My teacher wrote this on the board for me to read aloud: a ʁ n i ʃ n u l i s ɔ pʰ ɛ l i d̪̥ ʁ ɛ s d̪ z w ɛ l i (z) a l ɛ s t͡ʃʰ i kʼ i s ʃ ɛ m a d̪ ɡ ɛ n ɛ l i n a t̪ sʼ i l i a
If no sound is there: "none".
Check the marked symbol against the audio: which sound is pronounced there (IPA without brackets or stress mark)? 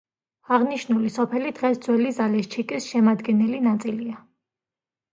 z